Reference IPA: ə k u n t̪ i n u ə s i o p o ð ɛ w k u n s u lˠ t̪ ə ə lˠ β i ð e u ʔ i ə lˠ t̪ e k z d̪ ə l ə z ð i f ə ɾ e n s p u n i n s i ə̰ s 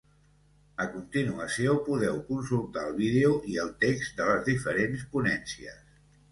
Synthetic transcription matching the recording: ə k u n t̪ i n u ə s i o p u ð ɛ w k u n s u lˠ t̪ a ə lˠ β i ð e u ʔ i ə lˠ t̪ e k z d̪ ə l ə z ð i f ə ɾ e n s p u n ɛ n s i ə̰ s